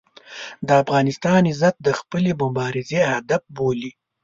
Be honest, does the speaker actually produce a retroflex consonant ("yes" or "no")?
no